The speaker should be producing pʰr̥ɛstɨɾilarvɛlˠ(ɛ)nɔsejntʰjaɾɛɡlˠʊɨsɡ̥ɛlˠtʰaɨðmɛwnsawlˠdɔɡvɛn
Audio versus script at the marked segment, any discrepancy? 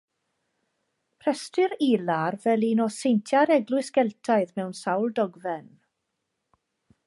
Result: yes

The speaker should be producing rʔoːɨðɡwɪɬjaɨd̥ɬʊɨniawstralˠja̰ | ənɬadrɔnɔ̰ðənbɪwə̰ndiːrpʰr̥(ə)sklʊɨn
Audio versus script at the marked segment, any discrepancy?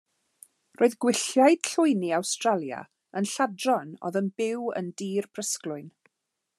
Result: no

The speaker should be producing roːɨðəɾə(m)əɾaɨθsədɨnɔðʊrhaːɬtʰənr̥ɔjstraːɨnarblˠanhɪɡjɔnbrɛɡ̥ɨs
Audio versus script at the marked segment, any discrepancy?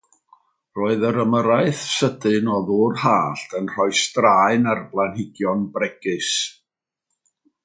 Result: no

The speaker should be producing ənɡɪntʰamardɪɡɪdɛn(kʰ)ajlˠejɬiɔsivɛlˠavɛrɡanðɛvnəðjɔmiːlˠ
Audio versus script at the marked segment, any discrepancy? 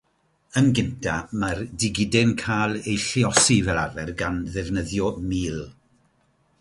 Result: no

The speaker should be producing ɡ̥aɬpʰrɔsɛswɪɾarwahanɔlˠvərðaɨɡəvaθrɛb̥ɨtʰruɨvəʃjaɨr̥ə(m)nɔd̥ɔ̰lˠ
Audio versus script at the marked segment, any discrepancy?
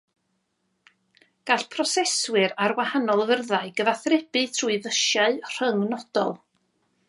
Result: yes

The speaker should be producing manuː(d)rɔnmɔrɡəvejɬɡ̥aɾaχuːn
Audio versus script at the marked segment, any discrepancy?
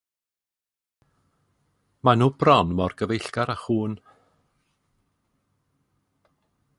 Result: yes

